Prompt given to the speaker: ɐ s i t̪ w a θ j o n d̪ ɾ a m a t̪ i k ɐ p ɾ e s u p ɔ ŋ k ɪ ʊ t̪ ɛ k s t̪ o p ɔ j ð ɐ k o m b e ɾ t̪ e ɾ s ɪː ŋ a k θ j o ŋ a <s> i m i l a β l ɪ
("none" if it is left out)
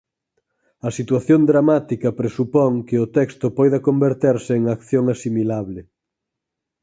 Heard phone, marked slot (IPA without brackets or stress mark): s